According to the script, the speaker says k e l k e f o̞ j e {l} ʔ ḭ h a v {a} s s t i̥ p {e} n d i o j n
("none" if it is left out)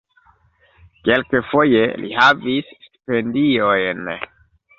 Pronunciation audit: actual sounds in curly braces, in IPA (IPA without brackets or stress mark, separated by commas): l, i, e